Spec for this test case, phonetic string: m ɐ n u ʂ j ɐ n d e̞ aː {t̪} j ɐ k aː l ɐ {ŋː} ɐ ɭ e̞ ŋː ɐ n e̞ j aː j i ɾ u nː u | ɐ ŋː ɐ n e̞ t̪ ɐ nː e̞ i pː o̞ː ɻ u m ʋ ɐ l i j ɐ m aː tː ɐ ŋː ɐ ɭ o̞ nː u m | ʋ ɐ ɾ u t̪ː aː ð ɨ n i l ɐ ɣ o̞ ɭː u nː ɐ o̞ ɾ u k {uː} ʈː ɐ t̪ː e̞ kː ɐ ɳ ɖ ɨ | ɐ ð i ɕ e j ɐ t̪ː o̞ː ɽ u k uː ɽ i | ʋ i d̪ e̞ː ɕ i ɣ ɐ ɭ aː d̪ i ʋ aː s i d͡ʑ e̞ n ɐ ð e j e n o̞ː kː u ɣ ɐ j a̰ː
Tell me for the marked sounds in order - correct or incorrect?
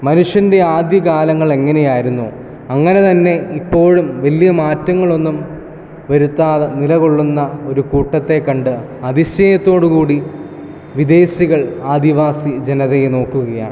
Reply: incorrect: d̪, correct, correct

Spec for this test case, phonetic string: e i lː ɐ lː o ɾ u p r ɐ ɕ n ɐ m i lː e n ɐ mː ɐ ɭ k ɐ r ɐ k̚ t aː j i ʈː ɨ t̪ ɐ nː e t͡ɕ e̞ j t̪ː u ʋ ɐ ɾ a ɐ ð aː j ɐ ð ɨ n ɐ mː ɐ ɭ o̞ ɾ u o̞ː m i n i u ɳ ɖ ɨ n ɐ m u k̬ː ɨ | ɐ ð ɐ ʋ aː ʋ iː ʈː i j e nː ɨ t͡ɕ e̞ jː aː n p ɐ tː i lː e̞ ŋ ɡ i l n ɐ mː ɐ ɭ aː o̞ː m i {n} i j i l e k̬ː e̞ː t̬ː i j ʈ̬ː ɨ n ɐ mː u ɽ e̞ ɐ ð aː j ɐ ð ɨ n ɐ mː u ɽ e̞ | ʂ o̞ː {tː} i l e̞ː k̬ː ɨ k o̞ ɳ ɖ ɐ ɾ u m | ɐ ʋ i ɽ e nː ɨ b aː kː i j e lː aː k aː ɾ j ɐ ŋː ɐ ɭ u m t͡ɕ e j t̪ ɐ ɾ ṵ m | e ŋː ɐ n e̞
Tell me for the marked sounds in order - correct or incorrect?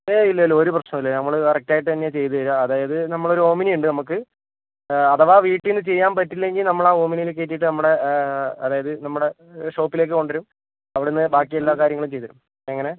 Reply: correct, incorrect: pː

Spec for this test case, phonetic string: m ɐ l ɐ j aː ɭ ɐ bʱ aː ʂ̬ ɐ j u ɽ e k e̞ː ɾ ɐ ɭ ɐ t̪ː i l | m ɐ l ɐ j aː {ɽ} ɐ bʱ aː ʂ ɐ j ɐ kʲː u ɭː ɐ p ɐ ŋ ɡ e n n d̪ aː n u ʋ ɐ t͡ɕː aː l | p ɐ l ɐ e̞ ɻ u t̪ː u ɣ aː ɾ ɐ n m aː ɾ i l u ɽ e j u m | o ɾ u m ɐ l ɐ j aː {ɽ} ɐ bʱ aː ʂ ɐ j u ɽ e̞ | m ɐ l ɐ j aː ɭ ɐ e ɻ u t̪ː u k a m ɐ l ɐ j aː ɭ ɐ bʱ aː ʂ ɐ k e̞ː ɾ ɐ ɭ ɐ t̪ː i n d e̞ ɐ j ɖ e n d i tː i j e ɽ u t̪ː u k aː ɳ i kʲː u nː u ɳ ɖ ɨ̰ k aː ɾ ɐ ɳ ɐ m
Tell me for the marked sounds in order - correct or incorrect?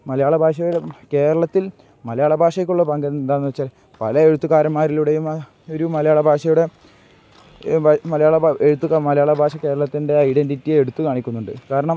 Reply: incorrect: ɭ, incorrect: ɭ

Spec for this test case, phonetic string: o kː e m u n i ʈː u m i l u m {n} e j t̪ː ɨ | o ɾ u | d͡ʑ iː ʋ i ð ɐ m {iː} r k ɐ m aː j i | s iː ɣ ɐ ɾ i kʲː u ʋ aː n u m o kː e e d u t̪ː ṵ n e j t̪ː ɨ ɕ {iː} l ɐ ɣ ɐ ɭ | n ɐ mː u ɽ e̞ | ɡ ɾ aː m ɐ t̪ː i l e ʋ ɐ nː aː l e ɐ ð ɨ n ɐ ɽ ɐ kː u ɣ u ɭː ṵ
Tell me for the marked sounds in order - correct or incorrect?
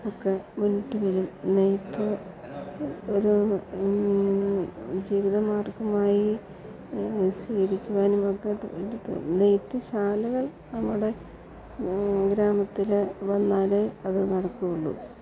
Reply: correct, incorrect: aː, incorrect: aː

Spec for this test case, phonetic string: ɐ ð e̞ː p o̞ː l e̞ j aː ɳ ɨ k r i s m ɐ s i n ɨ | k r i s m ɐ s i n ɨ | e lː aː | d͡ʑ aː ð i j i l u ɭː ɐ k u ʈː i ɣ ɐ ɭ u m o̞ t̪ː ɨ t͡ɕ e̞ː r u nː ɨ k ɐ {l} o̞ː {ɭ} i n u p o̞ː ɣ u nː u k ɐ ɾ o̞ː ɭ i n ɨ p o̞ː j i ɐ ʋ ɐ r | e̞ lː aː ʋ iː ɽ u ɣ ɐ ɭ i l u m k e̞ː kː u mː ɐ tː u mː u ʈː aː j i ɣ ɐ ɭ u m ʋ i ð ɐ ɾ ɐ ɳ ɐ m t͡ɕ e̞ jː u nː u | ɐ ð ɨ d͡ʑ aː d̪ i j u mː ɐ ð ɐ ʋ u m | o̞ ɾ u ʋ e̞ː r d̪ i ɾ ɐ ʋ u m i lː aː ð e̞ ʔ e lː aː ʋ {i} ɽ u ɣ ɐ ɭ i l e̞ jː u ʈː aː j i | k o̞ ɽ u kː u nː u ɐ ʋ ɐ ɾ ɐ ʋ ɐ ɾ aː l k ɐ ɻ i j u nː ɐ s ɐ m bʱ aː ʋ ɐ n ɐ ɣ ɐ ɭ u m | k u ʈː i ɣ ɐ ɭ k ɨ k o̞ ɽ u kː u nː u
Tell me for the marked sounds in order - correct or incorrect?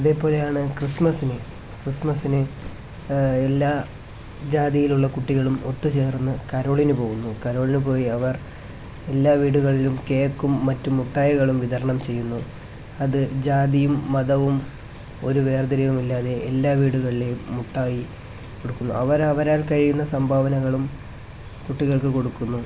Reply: incorrect: ɾ, correct, incorrect: iː

